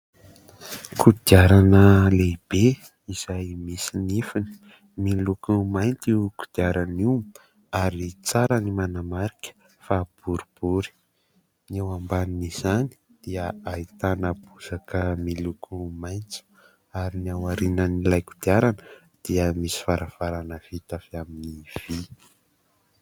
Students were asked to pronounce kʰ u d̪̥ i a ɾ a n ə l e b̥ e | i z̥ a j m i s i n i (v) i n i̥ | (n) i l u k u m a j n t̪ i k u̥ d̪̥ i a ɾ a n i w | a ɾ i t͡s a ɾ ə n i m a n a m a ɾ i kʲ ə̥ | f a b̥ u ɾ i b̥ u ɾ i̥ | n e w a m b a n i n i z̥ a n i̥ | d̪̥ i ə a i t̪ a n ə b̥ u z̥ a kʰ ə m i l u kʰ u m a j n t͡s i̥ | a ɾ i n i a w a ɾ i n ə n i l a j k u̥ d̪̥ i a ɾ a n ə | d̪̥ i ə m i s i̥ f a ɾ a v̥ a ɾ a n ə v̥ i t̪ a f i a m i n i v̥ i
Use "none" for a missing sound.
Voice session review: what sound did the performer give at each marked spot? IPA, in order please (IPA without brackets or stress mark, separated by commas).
f, m